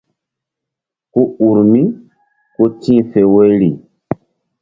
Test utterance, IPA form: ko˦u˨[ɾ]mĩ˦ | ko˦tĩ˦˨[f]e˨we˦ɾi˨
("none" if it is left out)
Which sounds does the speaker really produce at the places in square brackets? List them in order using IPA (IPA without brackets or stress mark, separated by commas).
ɾ, f